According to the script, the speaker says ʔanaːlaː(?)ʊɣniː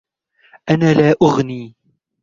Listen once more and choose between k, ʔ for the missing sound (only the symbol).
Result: ʔ